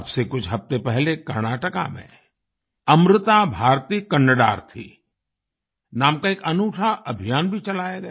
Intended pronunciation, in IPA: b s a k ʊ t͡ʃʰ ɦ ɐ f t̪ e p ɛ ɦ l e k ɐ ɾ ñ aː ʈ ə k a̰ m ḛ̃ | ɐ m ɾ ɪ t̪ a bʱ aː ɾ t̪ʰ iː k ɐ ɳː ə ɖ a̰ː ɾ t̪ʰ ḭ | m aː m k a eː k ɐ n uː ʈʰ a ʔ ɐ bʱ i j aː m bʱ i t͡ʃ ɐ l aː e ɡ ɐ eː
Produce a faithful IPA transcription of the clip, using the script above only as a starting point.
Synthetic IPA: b s e k ʊ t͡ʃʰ ɦ ɐ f t̪ e p ɛ ɦ l e k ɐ ɾ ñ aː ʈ ə k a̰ m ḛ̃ | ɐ m ɾ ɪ t̪ a bʱ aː ɾ t̪ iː k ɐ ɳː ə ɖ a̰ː ɾ t̪ʰ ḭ | n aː m k a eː k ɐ n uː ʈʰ a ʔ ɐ bʱ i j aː n bʱ i t͡ʃ ɐ l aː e ɡ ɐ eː